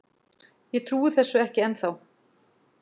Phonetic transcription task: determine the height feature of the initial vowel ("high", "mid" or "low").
mid